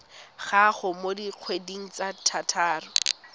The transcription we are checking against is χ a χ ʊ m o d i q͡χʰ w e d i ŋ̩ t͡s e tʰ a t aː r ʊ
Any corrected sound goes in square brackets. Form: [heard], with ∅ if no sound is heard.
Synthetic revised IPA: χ a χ ʊ m o d i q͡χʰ w e d i ŋ̩ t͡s [a] tʰ a [tʰ] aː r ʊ